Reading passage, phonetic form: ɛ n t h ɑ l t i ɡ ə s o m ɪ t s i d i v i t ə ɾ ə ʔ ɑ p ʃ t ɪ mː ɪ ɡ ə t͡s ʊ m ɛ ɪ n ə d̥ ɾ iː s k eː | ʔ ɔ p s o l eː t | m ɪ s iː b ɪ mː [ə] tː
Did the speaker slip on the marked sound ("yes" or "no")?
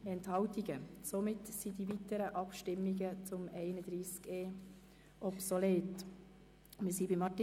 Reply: yes